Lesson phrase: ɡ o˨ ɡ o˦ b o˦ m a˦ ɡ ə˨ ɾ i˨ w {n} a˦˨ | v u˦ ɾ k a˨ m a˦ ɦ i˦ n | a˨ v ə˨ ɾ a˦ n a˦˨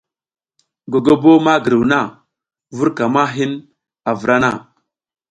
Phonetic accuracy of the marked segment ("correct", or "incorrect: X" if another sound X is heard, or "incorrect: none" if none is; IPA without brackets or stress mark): correct